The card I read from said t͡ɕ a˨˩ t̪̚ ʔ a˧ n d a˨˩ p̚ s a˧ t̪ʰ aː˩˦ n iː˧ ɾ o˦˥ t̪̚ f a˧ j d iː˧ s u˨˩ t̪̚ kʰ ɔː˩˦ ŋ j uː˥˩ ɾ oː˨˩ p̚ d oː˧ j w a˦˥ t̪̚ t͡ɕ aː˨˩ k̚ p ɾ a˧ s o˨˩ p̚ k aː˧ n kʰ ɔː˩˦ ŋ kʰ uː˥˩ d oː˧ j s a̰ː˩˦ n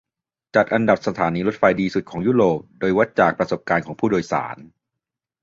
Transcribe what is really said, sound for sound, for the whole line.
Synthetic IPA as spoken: t͡ɕ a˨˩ t̪̚ ʔ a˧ n d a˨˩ p̚ s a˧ t̪ʰ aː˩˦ n iː˧ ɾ o˦˥ t̪̚ f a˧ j d iː˧ s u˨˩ t̪̚ kʰ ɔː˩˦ ŋ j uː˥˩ ɾ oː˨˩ p̚ d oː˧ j w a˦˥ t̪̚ t͡ɕ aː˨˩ k̚ p ɾ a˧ s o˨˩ p̚ k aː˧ n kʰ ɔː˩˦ ŋ pʰ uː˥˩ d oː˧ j s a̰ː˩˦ n